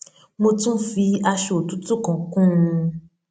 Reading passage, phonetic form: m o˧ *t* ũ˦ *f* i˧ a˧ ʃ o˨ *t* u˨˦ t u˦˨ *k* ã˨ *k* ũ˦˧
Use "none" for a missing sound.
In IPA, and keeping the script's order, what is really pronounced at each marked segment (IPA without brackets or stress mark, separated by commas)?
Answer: t, f, t, k, k